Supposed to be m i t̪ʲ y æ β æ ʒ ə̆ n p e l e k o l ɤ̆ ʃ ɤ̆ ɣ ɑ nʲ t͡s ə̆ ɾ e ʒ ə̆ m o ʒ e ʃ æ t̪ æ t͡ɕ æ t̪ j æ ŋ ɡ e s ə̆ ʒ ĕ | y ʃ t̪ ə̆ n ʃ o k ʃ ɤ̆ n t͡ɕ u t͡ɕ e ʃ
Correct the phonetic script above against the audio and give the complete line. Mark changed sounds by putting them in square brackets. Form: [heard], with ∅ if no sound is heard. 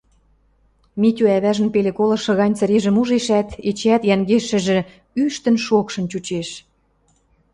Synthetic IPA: m i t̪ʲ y æ β æ ʒ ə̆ n p e l e k o l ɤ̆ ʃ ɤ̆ ɣ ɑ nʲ t͡s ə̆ ɾ e ʒ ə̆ m [u] ʒ e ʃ æ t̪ [e] t͡ɕ æ t̪ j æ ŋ ɡ e [ʃ] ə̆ ʒ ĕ | y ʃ t̪ ə̆ n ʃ o k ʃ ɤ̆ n t͡ɕ u t͡ɕ e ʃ